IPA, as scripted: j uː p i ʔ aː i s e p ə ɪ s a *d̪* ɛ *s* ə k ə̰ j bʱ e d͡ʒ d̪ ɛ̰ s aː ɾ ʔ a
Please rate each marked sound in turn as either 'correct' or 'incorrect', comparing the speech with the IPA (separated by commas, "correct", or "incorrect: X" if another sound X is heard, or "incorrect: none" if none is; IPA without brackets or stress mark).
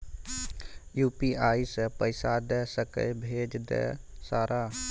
correct, correct